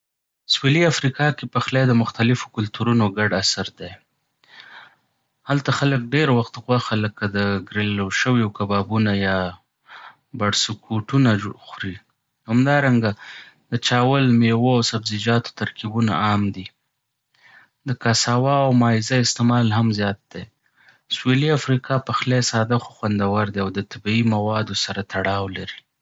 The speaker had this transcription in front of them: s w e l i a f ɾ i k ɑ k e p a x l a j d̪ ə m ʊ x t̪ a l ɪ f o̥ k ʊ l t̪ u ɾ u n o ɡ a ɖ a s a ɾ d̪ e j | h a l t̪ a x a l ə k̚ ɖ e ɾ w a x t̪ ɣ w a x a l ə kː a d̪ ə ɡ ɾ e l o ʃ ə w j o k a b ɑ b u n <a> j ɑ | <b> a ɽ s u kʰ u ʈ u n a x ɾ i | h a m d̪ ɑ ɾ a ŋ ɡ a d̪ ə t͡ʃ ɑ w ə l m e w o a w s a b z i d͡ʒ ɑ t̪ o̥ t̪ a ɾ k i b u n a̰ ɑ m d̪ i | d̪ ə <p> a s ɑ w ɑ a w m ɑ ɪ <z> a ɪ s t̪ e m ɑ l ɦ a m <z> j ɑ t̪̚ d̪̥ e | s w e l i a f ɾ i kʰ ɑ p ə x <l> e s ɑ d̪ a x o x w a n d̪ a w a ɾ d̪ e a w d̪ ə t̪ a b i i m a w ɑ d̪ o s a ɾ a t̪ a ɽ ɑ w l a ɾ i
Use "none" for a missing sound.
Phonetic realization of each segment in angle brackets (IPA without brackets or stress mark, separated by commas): a, b, k, z, z, l